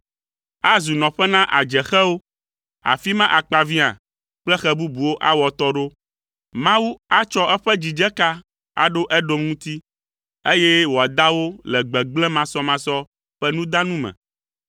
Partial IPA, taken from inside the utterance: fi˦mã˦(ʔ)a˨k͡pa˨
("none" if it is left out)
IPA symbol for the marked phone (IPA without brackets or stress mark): ʔ